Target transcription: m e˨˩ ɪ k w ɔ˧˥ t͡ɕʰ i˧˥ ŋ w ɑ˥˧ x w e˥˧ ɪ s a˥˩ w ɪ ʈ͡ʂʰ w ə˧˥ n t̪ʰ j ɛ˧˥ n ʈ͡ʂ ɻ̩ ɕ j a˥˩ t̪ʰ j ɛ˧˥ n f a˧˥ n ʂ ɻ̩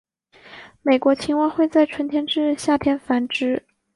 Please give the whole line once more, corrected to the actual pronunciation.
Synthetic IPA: m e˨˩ ɪ k w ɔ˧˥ t͡ɕʰ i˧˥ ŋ w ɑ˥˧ x w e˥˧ ɪ t͡s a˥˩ ɪ ʈ͡ʂʰ w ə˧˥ n t̪ʰ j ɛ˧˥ n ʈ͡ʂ ɻ̩ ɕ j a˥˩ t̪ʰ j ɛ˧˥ n f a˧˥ n ʈ͡ʂ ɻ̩